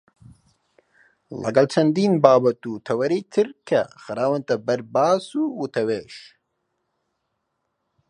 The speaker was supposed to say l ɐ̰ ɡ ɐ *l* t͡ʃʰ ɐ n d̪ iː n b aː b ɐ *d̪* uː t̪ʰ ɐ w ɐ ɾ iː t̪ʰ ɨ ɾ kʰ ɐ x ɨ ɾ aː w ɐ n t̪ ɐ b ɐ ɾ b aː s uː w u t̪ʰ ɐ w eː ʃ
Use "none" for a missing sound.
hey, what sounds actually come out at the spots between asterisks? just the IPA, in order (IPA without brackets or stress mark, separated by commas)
l, t̪